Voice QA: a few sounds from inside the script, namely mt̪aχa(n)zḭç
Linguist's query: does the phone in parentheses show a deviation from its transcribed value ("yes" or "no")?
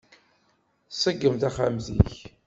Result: yes